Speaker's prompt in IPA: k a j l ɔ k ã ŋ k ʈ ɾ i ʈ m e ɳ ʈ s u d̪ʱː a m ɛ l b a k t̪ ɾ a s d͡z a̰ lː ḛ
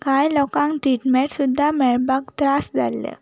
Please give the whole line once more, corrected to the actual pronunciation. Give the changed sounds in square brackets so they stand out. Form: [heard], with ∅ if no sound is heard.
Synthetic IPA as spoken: k a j l ɔ k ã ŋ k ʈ ɾ i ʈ m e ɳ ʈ s u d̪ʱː a m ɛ [ɭ] b a k t̪ ɾ a s d͡z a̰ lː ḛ